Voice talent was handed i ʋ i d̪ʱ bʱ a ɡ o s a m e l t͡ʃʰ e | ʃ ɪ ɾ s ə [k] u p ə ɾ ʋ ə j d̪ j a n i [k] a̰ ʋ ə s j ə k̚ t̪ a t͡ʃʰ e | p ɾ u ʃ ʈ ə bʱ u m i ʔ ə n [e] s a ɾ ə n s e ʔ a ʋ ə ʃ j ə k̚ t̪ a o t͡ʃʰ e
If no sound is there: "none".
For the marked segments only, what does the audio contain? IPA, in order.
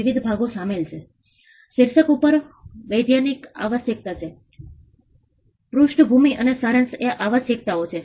k, k, e

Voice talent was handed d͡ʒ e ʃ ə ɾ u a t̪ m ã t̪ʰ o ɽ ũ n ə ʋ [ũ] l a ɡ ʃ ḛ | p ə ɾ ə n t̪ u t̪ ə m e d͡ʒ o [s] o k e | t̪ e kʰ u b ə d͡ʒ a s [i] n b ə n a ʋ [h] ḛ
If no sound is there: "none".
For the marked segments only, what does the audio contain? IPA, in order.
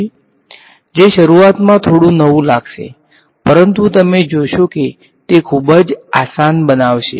ũ, ʃ, a, ʃ

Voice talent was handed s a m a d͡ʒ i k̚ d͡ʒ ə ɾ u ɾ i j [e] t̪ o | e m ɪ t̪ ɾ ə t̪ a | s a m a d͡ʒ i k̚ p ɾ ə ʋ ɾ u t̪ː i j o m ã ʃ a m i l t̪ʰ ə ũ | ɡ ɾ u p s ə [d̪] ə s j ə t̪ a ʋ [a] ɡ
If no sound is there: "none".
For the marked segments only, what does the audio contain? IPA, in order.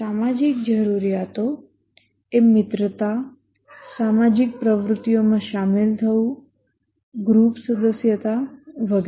a, d̪, ə

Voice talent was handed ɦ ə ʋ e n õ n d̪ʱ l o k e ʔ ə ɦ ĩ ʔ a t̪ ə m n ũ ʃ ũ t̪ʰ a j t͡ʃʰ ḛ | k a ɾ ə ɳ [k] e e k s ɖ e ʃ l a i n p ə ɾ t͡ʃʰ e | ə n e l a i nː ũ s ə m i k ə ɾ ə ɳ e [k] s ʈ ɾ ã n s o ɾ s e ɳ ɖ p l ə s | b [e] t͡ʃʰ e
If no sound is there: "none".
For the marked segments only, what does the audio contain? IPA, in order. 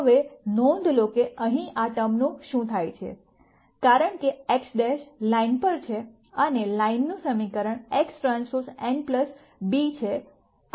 k, k, i

